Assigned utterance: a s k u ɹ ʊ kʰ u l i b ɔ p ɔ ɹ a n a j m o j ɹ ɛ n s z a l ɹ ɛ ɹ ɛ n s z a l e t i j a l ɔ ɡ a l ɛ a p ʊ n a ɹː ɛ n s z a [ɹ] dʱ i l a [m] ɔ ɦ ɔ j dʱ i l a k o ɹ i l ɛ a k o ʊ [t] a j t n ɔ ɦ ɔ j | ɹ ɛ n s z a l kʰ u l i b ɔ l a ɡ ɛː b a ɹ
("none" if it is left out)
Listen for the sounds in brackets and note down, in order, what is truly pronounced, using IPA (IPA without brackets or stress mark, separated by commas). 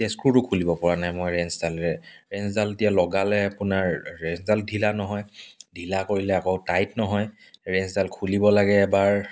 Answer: l, n, t